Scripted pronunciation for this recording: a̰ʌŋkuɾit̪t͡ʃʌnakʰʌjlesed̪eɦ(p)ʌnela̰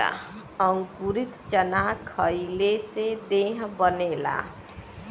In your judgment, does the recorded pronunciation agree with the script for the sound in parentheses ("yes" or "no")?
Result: no